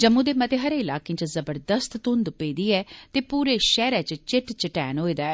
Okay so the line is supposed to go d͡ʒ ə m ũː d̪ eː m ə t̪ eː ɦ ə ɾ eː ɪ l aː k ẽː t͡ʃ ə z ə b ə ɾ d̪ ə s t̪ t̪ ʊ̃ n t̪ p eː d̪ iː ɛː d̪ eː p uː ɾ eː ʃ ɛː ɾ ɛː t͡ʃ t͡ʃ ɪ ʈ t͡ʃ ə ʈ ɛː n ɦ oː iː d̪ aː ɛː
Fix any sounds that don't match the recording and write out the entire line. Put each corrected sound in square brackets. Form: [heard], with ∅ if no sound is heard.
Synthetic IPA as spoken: d͡ʒ ə m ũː d̪ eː m ə t̪ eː ɦ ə ɾ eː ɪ l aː k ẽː t͡ʃ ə z ə b ə ɾ d̪ ə s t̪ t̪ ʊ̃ n [d̪] p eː d̪ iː ɛː [t̪] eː p uː ɾ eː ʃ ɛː ɾ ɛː t͡ʃ t͡ʃ ɪ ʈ t͡ʃ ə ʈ ɛː n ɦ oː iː d̪ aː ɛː